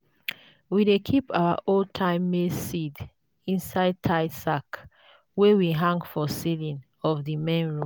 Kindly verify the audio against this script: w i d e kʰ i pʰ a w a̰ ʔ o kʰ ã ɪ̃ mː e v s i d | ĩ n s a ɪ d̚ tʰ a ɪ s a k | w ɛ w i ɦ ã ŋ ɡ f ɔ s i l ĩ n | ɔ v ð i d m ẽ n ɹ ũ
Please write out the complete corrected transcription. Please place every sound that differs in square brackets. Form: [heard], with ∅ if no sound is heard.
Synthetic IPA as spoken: w i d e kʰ i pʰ a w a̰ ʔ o [tʰ] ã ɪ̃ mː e [∅] s i d | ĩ n s a ɪ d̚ tʰ a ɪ s a k | w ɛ w i ɦ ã ŋ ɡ f ɔ s i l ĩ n | ɔ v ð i [∅] m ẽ n ɹ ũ